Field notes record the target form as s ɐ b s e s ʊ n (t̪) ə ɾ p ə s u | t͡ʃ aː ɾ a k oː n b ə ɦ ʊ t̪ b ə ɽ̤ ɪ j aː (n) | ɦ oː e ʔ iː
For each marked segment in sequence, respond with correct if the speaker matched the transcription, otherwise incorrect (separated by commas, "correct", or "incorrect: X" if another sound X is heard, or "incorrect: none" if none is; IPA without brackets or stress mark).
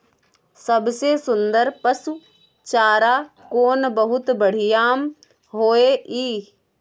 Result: incorrect: d̪, incorrect: m